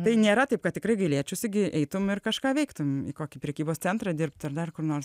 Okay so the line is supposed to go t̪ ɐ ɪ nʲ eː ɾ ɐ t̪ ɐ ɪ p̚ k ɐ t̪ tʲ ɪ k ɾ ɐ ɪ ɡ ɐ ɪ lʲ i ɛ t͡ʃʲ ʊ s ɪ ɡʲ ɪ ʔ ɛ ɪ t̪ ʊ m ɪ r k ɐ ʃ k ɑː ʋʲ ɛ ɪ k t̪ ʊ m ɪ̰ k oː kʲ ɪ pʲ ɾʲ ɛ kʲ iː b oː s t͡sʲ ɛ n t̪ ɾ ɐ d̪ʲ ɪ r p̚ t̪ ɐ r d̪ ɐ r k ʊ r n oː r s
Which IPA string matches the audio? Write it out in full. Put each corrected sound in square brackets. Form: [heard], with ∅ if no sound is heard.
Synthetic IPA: t̪ ɐ ɪ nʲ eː ɾ ɐ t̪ ɐ ɪ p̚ k ɐ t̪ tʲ ɪ k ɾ ɐ ɪ ɡ ɐ ɪ lʲ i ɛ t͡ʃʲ ʊ s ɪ ɡʲ ɪ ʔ ɛ ɪ t̪ ʊ m ɪ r k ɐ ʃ k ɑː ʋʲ ɛ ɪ k t̪ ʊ m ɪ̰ k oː kʲ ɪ pʲ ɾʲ ɛ kʲ iː b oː s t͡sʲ ɛ n t̪ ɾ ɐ d̪ʲ ɪ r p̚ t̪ ɐ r d̪ ɐ r k ʊ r n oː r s